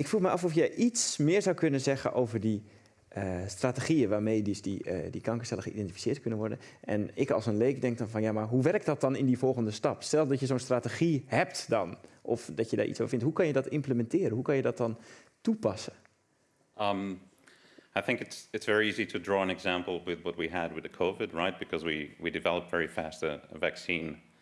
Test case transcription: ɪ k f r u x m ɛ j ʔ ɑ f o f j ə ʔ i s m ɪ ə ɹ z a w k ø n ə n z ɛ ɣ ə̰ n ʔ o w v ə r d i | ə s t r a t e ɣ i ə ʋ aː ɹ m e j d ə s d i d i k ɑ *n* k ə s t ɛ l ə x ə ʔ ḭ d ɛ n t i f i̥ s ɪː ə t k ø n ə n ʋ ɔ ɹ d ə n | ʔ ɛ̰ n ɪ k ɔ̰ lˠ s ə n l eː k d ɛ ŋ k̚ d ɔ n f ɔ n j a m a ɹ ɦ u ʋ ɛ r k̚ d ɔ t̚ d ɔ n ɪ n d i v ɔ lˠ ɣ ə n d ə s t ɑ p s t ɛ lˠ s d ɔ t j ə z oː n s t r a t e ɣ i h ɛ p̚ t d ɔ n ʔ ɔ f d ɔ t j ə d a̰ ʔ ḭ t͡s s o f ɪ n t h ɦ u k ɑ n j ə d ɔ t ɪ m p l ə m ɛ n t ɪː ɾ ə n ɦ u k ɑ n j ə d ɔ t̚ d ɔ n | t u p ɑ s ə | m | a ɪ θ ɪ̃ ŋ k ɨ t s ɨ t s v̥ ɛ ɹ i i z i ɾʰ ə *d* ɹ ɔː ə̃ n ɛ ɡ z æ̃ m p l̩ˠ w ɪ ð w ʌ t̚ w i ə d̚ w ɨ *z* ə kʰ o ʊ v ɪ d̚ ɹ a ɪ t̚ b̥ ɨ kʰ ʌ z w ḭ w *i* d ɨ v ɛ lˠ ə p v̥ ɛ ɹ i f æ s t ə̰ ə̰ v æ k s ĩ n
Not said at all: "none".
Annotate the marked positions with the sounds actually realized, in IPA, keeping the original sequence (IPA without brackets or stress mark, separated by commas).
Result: ŋ, d, ð, i